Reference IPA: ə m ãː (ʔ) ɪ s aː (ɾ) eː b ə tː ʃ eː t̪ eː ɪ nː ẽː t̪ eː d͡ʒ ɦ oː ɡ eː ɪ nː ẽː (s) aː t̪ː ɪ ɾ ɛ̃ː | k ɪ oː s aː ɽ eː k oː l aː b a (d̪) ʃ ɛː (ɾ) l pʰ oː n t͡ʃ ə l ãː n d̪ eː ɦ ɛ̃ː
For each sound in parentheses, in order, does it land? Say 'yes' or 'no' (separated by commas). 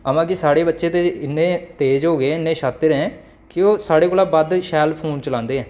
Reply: no, no, no, yes, no